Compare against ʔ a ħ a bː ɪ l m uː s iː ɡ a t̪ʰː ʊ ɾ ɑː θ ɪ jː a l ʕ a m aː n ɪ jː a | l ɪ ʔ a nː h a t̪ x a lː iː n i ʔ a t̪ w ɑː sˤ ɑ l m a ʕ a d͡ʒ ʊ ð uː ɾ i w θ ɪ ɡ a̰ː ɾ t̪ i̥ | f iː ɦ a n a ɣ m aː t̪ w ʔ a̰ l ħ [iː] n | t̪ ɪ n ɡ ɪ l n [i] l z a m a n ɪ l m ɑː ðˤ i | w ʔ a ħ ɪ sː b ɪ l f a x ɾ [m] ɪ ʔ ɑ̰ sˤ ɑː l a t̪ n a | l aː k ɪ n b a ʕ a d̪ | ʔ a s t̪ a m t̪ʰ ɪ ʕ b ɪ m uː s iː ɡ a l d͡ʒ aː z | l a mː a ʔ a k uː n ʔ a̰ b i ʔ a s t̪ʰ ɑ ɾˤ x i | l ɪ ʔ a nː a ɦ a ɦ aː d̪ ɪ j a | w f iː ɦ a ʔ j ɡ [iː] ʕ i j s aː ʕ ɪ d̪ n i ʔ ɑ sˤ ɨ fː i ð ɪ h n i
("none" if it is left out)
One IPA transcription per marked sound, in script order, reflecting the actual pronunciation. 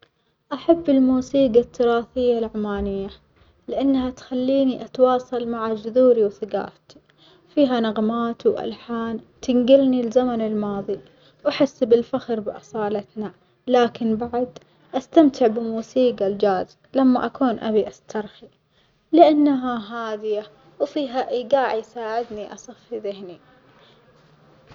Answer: aː, i, b, aː

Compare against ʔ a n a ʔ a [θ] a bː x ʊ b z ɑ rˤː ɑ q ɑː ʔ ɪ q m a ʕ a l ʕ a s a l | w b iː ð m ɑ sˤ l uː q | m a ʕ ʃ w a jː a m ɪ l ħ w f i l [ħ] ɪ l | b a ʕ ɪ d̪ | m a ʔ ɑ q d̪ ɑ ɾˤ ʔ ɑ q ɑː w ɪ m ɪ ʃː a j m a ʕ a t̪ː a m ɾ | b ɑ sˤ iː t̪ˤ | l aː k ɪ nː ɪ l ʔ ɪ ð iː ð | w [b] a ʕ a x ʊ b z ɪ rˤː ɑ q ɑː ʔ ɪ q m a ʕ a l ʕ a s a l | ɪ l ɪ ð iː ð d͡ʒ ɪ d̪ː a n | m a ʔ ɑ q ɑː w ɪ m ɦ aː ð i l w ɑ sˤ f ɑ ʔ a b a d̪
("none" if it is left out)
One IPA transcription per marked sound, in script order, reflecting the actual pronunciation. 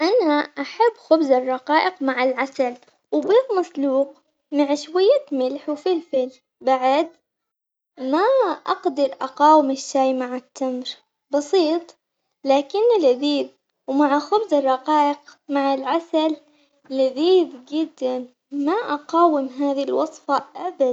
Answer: ħ, f, m

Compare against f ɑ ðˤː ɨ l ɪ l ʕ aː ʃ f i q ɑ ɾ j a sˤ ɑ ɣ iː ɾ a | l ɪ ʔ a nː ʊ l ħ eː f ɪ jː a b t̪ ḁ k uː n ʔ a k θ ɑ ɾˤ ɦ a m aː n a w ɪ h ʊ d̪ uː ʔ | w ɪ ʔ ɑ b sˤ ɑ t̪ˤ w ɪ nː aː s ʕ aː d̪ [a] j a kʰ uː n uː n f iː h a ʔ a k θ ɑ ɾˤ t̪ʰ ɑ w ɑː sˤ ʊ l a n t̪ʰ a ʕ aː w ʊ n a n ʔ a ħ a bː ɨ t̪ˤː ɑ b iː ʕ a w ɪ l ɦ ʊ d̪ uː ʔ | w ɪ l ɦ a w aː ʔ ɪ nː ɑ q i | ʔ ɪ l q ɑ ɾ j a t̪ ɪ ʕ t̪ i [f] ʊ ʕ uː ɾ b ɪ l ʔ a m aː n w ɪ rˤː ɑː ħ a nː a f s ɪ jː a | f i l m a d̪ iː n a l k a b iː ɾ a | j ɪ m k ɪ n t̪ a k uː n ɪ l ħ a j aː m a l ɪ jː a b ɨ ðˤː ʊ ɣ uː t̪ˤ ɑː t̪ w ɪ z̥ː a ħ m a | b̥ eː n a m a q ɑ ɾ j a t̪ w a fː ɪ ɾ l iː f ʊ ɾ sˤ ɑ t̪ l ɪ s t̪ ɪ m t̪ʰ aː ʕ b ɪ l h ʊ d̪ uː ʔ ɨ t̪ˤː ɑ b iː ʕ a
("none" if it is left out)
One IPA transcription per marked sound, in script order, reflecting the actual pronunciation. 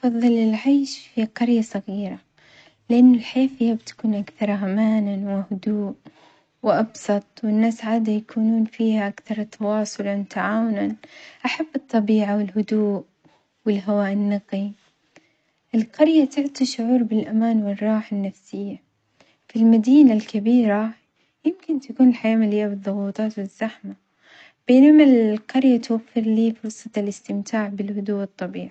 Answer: a, ʃ

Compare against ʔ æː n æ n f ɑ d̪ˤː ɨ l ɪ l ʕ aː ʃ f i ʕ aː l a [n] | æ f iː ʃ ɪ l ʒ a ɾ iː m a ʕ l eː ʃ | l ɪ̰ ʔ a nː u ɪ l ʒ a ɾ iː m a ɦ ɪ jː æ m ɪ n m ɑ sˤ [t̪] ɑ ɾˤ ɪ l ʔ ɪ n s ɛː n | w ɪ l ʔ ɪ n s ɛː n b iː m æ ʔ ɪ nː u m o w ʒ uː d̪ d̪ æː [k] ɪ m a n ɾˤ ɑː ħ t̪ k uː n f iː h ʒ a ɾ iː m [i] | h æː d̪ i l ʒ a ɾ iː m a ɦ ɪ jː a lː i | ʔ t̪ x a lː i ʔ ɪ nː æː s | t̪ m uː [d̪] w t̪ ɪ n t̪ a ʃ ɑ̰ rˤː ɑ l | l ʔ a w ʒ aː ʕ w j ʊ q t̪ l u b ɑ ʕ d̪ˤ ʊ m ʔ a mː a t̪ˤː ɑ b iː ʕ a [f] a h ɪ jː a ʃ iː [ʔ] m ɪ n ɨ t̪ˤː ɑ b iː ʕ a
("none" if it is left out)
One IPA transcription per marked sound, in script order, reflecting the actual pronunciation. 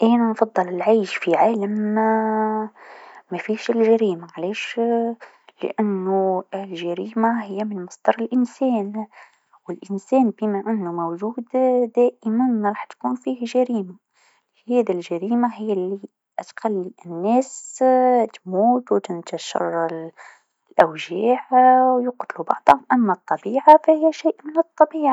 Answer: m, d̪, ʔ, a, t̪, f, ʔ

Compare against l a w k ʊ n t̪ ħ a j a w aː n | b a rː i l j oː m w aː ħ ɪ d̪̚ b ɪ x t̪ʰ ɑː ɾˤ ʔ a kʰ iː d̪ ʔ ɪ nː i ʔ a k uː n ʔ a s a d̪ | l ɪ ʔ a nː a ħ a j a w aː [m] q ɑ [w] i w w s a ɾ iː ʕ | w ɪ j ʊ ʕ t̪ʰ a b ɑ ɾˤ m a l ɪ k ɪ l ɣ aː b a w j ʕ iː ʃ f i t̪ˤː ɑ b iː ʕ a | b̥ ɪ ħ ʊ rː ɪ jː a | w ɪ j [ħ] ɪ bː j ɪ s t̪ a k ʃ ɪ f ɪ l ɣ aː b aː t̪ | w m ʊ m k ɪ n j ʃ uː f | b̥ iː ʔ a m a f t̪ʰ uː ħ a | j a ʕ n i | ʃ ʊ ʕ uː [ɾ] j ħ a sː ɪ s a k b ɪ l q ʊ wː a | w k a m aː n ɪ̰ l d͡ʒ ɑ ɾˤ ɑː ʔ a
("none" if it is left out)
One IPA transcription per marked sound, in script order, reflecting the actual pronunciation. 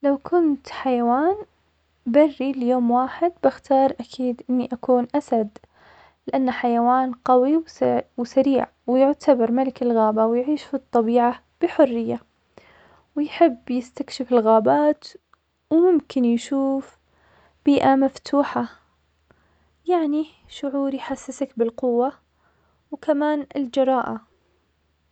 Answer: n, w, ħ, ɾ

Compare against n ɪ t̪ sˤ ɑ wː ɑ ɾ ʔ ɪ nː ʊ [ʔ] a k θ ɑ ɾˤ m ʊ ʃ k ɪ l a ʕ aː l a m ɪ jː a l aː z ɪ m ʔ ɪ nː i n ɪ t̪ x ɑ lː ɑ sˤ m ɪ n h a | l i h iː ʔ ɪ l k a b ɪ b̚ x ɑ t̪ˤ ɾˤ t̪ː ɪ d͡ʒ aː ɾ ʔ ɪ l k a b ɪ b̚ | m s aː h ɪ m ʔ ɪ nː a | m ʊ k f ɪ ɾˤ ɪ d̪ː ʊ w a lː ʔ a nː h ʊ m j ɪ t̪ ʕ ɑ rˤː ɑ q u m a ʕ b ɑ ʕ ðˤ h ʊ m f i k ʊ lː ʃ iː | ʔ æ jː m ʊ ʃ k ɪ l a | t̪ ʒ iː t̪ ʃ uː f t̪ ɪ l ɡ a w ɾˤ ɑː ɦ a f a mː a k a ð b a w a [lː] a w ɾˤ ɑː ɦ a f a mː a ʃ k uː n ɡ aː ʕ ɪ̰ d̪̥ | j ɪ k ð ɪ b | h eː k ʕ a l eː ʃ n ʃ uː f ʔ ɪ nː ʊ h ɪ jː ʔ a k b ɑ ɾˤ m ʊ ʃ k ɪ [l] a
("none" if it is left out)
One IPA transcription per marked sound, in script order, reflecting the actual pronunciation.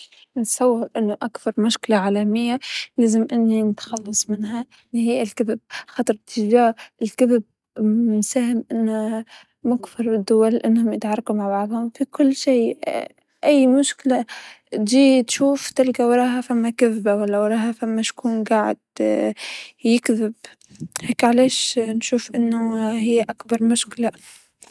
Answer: ʔ, lː, l

